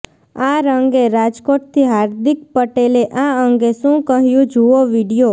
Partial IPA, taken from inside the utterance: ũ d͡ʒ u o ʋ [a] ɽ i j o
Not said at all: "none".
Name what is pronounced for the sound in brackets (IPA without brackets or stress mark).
i